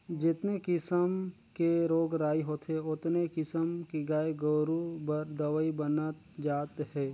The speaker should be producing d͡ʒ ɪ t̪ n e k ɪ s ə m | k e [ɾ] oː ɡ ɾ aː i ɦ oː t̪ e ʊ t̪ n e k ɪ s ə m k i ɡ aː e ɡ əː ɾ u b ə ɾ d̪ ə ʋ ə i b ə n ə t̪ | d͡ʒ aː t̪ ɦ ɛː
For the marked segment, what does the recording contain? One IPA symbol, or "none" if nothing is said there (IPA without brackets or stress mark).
ɾ